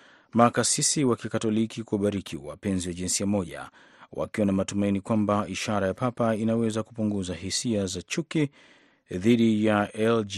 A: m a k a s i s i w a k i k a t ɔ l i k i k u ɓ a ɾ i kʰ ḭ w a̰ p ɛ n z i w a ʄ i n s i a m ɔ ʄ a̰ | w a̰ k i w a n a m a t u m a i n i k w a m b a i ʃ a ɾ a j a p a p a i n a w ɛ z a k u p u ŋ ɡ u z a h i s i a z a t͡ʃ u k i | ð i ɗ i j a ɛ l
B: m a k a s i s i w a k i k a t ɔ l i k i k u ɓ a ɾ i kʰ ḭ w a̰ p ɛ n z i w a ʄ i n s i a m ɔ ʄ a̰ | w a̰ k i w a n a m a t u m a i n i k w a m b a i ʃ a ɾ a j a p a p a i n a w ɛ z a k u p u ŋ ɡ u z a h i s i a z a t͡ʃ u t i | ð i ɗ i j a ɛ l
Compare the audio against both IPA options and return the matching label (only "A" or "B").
A